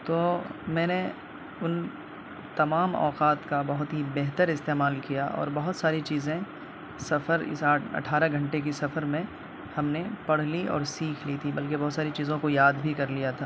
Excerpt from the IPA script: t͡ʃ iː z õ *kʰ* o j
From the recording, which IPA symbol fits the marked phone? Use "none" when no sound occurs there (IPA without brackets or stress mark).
k